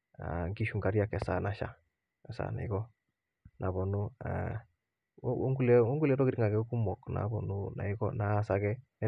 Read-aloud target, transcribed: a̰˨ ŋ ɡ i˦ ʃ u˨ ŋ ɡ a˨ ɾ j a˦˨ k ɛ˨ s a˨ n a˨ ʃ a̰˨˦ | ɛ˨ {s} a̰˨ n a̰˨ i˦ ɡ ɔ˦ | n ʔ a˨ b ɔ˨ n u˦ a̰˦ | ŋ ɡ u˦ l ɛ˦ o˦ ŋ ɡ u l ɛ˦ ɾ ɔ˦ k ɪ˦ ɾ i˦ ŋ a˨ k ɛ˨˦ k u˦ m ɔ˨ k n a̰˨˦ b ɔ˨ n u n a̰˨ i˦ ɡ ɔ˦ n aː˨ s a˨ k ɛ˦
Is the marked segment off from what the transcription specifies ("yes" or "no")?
no